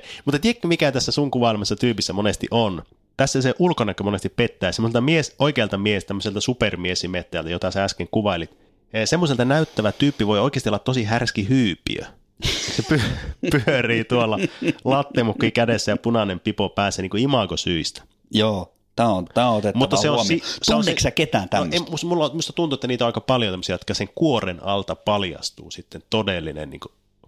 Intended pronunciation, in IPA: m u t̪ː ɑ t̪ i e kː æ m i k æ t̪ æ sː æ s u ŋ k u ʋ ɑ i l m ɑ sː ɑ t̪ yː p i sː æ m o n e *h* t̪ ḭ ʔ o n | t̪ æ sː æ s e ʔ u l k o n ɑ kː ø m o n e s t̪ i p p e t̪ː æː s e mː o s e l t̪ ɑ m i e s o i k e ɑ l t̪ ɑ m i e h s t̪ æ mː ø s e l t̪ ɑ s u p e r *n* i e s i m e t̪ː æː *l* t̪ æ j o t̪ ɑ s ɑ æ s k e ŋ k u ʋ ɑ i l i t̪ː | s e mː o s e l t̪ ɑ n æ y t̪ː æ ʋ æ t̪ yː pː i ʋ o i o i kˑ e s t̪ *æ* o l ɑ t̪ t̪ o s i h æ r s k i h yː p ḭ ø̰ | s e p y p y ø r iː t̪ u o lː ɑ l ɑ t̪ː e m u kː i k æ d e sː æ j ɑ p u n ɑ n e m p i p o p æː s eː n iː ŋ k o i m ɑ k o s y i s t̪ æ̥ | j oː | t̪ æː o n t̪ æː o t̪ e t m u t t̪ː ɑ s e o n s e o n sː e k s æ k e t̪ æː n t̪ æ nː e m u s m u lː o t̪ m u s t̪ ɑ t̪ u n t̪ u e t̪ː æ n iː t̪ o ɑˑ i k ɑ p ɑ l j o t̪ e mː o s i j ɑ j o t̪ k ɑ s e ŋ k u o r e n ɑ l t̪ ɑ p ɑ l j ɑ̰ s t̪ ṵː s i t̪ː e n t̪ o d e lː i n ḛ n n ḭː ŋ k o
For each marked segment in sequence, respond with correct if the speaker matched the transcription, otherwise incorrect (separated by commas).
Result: incorrect, incorrect, correct, incorrect